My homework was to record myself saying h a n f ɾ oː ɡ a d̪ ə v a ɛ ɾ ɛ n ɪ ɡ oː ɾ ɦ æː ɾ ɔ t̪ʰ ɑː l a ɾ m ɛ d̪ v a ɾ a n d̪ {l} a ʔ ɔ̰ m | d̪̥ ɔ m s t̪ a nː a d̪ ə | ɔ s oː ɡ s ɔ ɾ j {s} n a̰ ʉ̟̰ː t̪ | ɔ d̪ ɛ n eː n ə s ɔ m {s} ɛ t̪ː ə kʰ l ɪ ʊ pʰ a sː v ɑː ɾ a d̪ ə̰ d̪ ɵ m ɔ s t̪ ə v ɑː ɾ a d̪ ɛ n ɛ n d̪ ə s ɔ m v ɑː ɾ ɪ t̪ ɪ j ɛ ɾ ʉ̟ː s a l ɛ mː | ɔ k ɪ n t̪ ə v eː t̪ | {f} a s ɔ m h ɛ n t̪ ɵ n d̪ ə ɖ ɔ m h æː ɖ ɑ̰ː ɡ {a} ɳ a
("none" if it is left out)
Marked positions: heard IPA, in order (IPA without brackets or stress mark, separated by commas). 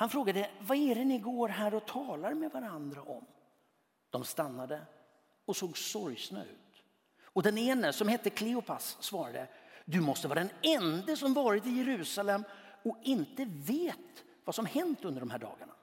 ɾ, s, h, v, a